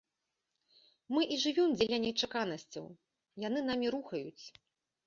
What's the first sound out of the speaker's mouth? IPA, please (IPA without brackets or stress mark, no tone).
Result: m